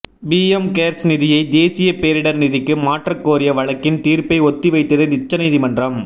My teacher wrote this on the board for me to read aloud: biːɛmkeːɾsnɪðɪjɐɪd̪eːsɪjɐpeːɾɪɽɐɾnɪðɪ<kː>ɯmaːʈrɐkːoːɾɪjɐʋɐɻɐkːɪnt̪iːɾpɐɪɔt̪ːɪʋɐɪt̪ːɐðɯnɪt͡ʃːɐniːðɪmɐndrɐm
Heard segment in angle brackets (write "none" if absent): kː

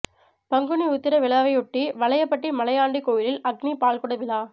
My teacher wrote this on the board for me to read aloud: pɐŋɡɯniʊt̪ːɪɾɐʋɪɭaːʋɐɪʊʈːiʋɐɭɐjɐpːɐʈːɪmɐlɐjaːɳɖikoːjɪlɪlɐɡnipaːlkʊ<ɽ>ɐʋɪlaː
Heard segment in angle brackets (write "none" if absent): ɽ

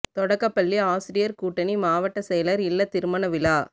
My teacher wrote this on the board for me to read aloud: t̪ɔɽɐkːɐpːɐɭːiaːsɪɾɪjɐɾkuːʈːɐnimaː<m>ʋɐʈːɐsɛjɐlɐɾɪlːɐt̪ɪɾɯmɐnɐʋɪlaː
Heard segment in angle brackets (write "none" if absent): none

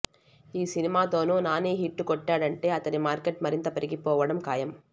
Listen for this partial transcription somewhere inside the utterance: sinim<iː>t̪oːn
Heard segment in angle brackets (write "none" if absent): aː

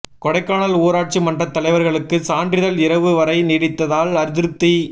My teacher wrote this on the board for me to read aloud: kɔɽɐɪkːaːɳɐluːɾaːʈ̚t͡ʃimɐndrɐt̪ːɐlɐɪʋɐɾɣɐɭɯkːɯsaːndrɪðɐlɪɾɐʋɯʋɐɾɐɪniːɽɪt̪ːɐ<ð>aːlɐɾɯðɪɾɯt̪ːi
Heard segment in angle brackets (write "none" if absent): ð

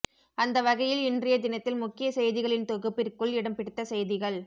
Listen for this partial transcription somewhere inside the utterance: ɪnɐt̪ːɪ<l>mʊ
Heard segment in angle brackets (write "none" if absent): l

